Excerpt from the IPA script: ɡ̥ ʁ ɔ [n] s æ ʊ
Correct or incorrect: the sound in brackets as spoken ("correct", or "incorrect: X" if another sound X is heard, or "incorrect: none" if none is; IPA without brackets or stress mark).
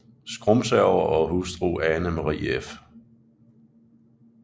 incorrect: m